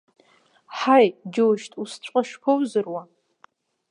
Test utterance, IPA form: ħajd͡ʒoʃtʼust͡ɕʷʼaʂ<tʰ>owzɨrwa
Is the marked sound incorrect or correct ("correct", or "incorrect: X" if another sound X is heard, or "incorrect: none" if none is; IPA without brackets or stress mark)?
incorrect: pʰ